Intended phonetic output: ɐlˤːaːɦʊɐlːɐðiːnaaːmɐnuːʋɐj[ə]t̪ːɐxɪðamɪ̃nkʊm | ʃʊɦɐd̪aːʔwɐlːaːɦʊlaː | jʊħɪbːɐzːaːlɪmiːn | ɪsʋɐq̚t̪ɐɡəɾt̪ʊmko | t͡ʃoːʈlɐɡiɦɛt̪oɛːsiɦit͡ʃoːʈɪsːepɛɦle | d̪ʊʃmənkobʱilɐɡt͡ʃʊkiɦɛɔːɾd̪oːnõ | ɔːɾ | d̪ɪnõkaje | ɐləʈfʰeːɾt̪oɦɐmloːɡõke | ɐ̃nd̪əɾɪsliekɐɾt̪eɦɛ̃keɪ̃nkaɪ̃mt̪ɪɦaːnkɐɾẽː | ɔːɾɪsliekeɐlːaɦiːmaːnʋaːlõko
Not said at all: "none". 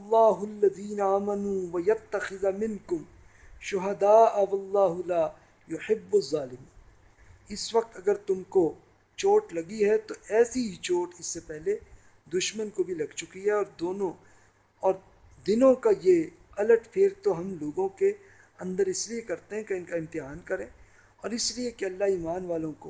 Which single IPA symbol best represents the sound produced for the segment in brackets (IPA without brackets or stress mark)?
ɐ